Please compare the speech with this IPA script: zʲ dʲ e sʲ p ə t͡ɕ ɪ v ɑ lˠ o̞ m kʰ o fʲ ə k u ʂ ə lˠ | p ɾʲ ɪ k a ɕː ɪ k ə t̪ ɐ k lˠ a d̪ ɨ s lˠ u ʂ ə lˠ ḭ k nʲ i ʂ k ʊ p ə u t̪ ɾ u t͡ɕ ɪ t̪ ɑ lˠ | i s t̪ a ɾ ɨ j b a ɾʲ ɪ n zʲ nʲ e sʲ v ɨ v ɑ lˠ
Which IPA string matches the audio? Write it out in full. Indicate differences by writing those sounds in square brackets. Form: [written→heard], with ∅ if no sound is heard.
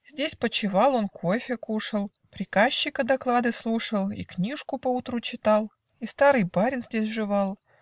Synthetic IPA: zʲ dʲ e sʲ p ə t͡ɕ ɪ v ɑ lˠ o̞ [m→n] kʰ o fʲ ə k u ʂ ə lˠ | p ɾʲ ɪ k a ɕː ɪ k ə [t̪→d̪] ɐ k lˠ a d̪ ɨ s lˠ u ʂ ə lˠ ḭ k nʲ i ʂ k ʊ p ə u t̪ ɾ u t͡ɕ ɪ t̪ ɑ lˠ | i s t̪ a ɾ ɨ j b a ɾʲ ɪ n zʲ [nʲ→dʲ] e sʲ [v→ʐ] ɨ v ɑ lˠ